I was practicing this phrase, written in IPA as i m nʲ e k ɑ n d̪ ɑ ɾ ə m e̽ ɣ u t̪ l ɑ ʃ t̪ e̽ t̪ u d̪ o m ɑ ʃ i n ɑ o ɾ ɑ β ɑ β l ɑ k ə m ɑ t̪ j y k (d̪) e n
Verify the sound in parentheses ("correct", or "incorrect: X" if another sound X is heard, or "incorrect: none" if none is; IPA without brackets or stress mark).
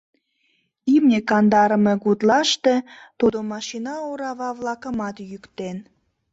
incorrect: t̪